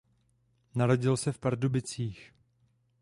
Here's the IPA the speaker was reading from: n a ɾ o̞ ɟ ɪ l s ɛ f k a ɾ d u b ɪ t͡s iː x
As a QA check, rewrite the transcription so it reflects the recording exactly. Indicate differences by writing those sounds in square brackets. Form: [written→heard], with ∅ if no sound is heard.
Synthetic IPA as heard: n a ɾ o̞ ɟ ɪ l s ɛ f [k→p] a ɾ d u b ɪ t͡s iː x